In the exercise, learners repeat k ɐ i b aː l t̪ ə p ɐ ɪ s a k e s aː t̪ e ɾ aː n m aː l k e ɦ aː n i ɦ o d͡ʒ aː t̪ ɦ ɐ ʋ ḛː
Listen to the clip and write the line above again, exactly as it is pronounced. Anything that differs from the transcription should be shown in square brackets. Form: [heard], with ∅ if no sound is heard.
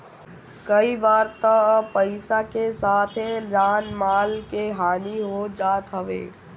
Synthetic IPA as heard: k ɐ i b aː [ɾ] t̪ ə p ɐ ɪ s a k e s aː [t̪ʰ] e ɾ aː n m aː l k e ɦ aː n i ɦ o d͡ʒ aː t̪ ɦ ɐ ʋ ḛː

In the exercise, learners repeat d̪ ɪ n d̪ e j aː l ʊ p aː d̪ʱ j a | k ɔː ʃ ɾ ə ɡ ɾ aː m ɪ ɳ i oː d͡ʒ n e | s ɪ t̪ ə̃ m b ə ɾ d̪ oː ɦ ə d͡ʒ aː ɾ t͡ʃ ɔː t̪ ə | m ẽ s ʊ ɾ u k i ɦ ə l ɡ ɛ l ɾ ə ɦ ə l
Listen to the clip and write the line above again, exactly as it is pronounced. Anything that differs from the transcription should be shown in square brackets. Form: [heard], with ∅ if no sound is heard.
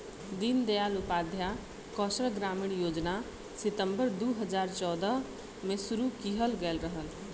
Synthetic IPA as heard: d̪ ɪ n d̪ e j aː l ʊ p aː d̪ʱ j a | k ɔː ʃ ɾ ə ɡ ɾ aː m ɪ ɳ [j] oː d͡ʒ n [a] | s ɪ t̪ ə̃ m b ə ɾ d̪ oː ɦ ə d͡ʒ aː ɾ t͡ʃ ɔː [d̪] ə | m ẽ s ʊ ɾ u k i ɦ ə l ɡ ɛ l ɾ ə ɦ ə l

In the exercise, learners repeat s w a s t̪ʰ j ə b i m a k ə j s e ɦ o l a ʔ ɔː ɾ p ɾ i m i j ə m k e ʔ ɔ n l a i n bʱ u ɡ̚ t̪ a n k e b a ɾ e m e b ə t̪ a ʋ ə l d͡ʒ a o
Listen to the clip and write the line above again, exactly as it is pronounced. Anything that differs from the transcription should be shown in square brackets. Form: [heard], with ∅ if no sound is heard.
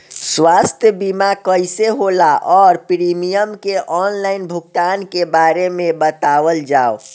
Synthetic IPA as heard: s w a s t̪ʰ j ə b i m a k ə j s e ɦ o l a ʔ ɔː ɾ p ɾ i m i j ə m k e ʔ ɔ n l a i n bʱ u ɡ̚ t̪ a n k e b a ɾ e m e b ə t̪ a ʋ ə l d͡ʒ a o

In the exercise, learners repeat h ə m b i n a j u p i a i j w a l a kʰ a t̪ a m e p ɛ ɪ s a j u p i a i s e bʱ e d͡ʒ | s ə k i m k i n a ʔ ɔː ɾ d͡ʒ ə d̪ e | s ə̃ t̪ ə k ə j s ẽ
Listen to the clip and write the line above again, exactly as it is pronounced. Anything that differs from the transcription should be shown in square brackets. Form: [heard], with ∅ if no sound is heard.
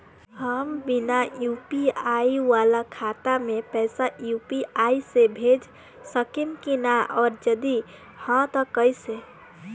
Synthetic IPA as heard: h ə m b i n a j u p i a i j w a l a kʰ a t̪ a m e p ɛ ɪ s a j u p i a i s e bʱ e d͡ʒ | s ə k i m k i n a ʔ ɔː ɾ d͡ʒ ə d̪ [i] | [h] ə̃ t̪ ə k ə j s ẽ

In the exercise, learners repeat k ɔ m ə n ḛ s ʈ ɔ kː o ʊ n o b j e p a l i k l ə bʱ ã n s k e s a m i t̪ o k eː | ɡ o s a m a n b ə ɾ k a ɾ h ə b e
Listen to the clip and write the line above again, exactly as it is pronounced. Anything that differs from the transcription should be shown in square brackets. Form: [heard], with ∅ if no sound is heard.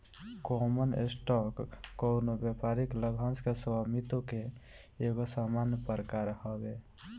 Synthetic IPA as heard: k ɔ m ə n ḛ s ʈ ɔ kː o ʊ n o b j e p a [ɾ] i k l ə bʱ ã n s k e s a m i t̪ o k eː | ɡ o s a m a n [p] ə ɾ k a ɾ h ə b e

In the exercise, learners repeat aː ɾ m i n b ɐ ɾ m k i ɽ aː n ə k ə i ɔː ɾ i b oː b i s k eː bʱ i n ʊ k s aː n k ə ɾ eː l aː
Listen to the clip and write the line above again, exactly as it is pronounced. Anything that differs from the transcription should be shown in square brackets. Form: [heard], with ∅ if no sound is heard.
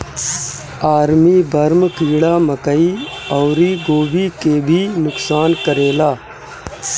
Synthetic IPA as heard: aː ɾ m i [∅] b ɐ ɾ m k [iː] ɽ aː [m] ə k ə i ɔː ɾ i [ɡ] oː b i [∅] k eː bʱ i n ʊ k s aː n k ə ɾ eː l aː

